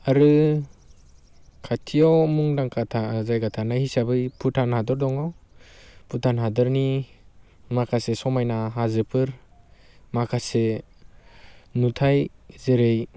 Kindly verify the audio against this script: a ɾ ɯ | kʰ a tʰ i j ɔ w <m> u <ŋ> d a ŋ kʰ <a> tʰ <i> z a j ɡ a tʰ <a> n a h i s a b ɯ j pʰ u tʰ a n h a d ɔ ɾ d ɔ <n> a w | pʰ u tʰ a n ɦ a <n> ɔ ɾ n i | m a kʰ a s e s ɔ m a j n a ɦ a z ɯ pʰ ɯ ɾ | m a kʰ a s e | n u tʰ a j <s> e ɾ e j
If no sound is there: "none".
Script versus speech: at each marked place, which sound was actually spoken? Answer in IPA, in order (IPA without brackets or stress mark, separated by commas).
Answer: m, ŋ, a, a, a, ŋ, d, z